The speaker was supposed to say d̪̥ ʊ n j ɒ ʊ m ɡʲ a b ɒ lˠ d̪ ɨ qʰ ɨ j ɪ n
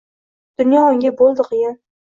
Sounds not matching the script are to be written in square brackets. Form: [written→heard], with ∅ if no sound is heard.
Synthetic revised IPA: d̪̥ ʊ n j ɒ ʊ [m→ŋ] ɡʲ a b [ɒ→o] lˠ d̪ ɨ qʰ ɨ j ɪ n